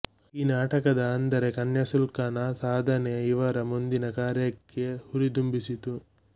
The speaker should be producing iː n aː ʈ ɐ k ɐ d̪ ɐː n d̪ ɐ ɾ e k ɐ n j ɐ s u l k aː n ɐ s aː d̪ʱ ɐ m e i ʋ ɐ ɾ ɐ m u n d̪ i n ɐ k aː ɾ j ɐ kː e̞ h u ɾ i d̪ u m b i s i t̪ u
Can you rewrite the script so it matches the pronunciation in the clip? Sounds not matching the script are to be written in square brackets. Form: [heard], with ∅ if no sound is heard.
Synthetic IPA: iː n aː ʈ ɐ k ɐ d̪ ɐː n d̪ ɐ ɾ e k ɐ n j ɐ s u l k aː n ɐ s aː d̪ʱ ɐ [n] e i ʋ ɐ ɾ ɐ m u n d̪ i n ɐ k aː ɾ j ɐ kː e̞ h u ɾ i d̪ u m b i s i t̪ u